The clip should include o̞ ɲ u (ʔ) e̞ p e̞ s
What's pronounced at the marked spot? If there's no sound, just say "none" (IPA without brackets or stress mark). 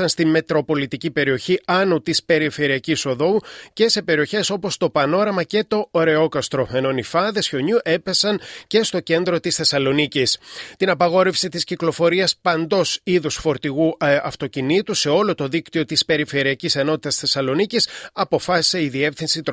ʔ